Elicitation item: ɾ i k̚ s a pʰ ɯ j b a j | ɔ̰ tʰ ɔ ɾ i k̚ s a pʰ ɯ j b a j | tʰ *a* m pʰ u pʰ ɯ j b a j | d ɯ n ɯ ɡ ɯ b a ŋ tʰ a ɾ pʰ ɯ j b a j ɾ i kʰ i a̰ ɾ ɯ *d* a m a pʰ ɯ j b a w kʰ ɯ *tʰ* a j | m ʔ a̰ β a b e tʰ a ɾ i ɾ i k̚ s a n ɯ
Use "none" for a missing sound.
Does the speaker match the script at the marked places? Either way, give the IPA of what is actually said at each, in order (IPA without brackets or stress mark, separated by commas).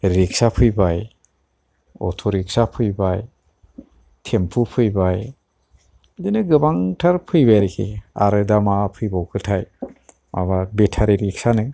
e, d, tʰ